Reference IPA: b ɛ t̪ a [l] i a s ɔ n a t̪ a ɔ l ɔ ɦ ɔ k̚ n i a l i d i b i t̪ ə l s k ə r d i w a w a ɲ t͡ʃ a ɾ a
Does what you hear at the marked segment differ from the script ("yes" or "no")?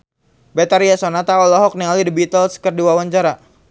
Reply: yes